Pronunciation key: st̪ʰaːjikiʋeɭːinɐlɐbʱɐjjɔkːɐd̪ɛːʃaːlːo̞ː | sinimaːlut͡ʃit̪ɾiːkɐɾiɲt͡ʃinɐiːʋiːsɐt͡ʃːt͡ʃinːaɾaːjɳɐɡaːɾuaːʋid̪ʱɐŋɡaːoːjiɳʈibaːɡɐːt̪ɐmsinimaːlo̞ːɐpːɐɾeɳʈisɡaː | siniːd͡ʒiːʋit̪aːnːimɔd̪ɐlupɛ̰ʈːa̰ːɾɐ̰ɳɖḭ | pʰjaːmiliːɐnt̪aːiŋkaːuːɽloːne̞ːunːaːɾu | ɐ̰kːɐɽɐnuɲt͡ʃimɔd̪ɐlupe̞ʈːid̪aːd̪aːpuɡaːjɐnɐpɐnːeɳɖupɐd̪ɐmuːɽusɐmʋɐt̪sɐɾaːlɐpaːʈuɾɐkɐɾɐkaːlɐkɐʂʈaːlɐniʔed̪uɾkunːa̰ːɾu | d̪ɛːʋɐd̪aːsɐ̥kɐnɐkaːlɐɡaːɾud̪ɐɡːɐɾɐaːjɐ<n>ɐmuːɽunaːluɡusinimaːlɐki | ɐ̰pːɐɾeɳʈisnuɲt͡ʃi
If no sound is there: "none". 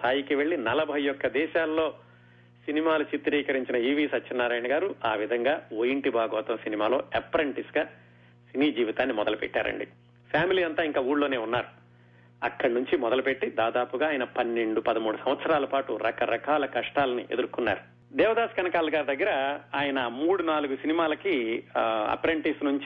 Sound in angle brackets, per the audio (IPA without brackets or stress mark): n